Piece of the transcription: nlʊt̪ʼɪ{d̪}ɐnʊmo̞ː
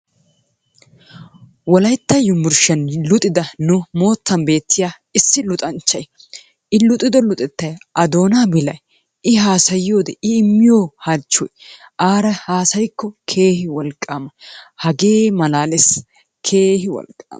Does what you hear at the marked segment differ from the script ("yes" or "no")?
no